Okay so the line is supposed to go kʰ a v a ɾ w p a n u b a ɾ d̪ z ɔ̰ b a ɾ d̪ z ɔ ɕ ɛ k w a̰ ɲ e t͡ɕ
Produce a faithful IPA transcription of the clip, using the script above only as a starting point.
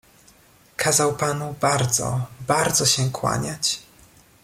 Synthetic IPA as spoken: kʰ a z a w p a n u b a ɾ d̪ z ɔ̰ b a ɾ d̪ z ɔ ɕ ɛ k w a̰ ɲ a t͡ɕ